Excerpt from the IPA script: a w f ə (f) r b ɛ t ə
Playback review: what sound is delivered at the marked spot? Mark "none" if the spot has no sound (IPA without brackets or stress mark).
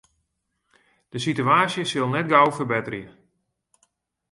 none